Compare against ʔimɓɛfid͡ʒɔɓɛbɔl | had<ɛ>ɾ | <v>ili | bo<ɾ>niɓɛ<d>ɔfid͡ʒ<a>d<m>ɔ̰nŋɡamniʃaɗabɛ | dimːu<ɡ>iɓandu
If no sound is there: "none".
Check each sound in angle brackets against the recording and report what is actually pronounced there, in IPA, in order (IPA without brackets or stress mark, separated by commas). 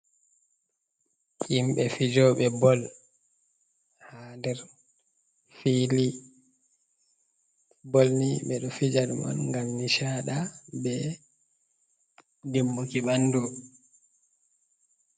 ɛ, f, l, ɗ, a, m, k